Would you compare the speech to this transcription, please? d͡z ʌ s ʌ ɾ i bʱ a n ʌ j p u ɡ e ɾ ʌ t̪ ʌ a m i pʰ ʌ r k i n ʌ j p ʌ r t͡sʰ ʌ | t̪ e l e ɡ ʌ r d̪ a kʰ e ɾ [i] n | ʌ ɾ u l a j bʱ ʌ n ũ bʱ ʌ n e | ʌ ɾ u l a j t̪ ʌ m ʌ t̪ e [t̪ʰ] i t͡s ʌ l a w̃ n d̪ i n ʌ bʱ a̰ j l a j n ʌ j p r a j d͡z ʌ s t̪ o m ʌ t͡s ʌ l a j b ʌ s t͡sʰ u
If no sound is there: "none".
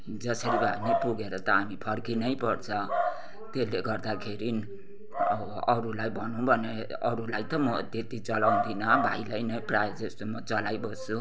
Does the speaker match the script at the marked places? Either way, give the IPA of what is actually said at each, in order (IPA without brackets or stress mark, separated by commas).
i, t̪